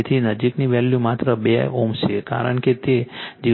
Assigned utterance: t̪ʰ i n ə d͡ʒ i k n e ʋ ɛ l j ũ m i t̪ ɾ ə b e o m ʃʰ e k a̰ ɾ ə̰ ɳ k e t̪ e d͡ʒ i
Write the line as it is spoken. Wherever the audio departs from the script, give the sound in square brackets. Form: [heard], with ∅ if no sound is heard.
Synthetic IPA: t̪ʰ i n ə d͡ʒ i k n [i] ʋ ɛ l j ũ m [a] t̪ ɾ ə b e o m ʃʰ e k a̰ ɾ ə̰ ɳ k e t̪ e d͡ʒ i